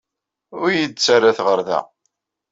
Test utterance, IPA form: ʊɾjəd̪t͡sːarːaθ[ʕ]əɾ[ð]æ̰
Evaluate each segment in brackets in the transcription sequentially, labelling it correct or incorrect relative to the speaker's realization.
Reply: incorrect: ʁ, correct

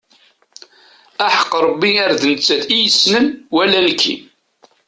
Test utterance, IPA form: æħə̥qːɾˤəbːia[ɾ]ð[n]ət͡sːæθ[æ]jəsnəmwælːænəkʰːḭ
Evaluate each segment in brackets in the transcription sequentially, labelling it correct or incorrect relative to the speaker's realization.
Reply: correct, correct, incorrect: i

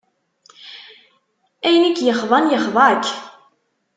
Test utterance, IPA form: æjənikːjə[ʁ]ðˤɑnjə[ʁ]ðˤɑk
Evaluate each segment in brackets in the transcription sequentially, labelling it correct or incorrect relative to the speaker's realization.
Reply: incorrect: χ, incorrect: χ

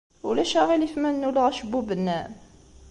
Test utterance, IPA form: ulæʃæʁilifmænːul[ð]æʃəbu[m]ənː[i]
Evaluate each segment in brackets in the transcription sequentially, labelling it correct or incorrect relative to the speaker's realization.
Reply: incorrect: ʁ, incorrect: b, incorrect: æ

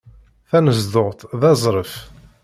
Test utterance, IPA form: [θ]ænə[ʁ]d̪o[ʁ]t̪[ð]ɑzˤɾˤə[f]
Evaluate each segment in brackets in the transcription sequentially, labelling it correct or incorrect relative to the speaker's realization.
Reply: correct, incorrect: z, correct, correct, correct

